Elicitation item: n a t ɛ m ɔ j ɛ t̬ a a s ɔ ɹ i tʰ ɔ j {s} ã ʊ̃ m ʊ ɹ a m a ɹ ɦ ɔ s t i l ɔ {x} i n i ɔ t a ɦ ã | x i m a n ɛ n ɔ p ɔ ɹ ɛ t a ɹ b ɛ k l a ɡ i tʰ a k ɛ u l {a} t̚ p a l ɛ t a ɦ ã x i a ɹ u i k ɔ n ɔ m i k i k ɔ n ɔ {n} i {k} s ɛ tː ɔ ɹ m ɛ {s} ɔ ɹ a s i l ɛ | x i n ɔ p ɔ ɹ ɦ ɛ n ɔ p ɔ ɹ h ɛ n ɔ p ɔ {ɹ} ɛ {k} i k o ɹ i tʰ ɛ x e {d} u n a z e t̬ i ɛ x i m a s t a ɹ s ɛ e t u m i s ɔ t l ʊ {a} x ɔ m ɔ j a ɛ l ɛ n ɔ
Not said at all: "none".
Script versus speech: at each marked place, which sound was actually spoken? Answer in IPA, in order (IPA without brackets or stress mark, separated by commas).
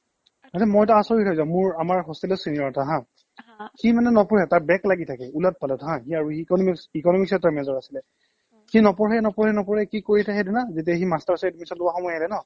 z, s, a, m, k, z, ɹ, k, d, a